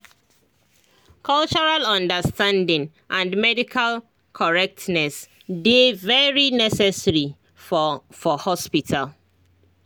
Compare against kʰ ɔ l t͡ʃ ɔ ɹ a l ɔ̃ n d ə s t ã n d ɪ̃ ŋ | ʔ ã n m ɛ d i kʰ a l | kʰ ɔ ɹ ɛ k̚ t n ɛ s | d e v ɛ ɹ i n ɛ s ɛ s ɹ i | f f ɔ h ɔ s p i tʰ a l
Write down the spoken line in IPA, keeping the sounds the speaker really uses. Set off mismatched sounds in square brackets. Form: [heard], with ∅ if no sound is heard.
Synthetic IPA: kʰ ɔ l t͡ʃ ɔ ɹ a l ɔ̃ n d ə s t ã n d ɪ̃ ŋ | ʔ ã n m ɛ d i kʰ a l | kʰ ɔ ɹ ɛ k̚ t n ɛ s | d e v ɛ ɹ i n ɛ s ɛ s ɹ i | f f ɔ h ɔ s p i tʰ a l